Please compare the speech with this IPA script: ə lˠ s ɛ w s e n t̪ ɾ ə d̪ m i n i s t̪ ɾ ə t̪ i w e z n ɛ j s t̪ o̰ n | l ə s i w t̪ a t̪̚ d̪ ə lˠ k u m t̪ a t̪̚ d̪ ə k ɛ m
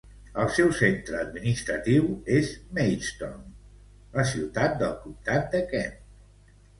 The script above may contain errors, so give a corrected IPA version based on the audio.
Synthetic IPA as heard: ə lˠ s ɛ w s e n t̪ ɾ əː d̪ m i n i s t̪ ɾ ə t̪ i w e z m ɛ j s t̪ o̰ n | l ə s i w t̪ a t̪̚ d̪ ə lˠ k u m t̪ a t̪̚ d̪ ə k ɛ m